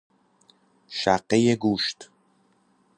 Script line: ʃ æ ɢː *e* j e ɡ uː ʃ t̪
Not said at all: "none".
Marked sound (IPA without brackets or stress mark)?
e